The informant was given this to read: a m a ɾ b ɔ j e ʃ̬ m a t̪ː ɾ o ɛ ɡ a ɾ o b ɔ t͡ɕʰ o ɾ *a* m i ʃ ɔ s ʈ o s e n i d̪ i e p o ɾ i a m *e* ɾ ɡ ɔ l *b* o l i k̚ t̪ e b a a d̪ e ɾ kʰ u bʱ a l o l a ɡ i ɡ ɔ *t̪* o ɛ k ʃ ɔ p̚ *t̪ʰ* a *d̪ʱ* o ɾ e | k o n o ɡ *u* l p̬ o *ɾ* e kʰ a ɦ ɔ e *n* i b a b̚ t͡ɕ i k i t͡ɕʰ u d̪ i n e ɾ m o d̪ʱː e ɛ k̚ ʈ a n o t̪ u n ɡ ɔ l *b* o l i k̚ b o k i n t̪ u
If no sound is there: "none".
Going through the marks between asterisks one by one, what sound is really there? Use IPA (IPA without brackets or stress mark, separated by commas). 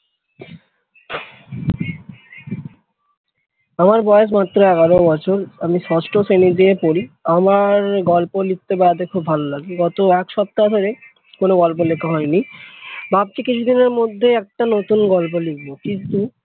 a, a, p, t̪, t̪, d̪ʱ, ɔ, l, n, p